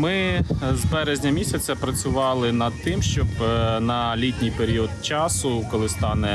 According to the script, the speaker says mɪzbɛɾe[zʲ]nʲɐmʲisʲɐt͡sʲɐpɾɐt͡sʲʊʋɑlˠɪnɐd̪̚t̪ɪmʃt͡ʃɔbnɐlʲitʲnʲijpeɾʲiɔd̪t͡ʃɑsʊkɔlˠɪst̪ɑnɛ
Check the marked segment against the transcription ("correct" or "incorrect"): correct